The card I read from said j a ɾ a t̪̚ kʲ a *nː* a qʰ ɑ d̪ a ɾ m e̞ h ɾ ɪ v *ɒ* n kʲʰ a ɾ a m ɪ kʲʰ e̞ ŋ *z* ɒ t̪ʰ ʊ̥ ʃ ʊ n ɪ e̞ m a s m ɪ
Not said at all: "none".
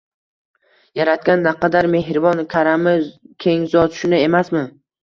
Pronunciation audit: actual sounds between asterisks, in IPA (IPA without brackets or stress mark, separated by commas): nː, ɒ, z